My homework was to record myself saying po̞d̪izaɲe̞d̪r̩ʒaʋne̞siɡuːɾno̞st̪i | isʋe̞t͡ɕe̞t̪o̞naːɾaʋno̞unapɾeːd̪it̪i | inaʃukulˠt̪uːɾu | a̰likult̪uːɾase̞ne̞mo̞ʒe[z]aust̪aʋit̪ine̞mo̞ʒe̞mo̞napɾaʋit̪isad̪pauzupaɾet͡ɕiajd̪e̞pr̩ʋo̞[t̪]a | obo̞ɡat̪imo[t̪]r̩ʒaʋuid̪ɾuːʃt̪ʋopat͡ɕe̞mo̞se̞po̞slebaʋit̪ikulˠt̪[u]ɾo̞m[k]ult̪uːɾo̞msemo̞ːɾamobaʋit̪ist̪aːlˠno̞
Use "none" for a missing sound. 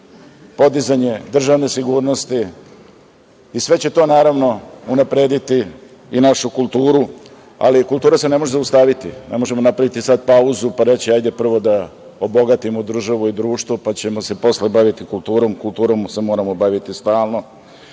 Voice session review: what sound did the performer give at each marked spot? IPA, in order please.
z, d̪, d̪, uː, k

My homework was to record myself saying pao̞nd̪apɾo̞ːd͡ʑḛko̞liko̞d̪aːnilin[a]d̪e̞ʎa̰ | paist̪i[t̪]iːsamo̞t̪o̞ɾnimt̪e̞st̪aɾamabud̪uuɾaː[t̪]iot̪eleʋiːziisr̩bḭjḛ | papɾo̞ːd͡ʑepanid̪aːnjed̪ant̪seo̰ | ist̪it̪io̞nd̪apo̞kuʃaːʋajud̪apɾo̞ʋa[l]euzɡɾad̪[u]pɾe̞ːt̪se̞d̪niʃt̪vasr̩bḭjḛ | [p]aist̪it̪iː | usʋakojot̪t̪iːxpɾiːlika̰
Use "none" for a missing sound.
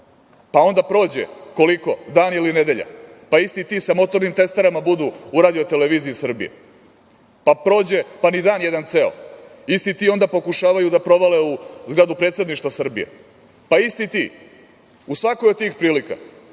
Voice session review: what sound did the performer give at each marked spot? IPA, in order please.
e, t̪, d̪, l, u, p

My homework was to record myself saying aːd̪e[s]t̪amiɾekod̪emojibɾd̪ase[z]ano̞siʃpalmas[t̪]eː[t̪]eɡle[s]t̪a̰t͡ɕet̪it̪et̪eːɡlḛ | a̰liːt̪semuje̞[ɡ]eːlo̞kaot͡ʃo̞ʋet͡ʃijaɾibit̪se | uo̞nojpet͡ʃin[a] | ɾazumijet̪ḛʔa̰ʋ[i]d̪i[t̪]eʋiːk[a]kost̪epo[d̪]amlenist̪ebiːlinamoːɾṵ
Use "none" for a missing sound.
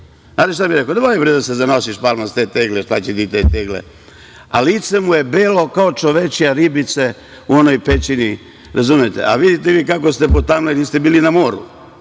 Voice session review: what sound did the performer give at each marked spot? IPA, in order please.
ʃ, z, t̪, t̪, ʃ, b, i, i, t̪, a, t̪

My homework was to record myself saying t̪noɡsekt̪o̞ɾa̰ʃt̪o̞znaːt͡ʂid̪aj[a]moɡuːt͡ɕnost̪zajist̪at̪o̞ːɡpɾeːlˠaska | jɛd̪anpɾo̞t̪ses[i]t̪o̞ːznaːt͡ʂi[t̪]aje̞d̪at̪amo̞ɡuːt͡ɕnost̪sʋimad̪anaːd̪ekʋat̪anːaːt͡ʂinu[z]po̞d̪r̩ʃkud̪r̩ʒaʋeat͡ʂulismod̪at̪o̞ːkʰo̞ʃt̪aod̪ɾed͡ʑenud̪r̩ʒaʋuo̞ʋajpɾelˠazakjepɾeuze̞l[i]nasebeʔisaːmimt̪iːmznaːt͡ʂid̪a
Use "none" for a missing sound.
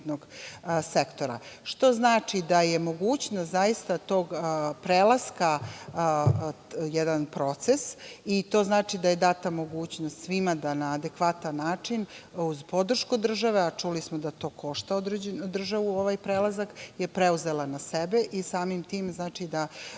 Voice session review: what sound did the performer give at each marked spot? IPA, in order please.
e, i, d̪, z, a

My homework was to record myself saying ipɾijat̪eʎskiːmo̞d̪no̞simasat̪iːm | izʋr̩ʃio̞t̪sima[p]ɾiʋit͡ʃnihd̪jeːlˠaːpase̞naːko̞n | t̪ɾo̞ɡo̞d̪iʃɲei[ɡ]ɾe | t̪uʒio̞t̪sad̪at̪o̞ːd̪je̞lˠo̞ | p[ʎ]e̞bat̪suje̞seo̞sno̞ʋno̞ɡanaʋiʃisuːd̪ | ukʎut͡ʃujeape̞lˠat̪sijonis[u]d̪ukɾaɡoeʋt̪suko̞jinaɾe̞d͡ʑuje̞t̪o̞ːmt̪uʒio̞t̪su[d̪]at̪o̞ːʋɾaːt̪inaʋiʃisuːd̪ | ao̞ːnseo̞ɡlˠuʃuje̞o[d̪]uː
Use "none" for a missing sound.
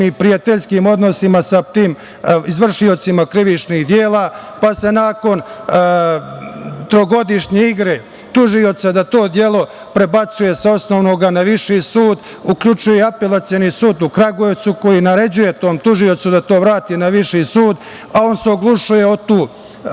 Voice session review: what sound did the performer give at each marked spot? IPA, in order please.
k, ɡ, ɾ, uː, d̪, t̪

